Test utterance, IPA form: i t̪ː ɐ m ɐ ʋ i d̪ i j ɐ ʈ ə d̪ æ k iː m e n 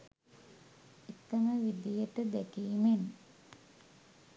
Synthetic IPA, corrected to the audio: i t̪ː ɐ m ə ʋ i d̪ i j ə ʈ ə d̪ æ k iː m e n